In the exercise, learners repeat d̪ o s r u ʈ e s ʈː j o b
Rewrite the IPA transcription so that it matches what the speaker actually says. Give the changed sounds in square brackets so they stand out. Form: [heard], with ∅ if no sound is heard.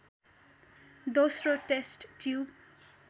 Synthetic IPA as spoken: d̪ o s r [o] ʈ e s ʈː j [u] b